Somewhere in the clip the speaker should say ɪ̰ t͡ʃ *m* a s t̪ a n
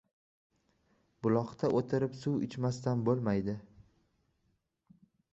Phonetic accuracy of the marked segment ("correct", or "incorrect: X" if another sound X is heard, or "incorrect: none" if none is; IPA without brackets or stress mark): correct